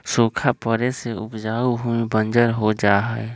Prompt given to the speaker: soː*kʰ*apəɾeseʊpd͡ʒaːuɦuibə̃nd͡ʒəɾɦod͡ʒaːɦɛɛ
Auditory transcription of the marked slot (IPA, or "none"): kʰ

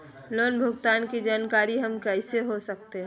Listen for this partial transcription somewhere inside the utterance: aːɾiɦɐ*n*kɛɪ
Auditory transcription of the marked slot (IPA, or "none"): m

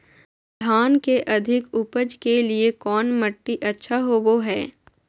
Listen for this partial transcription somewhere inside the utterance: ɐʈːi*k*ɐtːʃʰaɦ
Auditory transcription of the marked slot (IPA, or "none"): ʔ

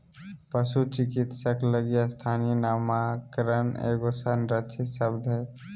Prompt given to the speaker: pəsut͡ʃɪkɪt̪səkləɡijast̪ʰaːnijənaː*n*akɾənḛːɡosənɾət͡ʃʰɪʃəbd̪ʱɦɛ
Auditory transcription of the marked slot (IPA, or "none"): m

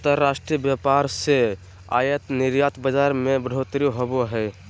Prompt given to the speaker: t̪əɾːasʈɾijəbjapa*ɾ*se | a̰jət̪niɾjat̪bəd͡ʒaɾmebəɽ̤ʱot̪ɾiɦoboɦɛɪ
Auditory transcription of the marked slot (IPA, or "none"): ɾ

